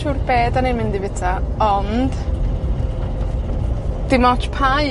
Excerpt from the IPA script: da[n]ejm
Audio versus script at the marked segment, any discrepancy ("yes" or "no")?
no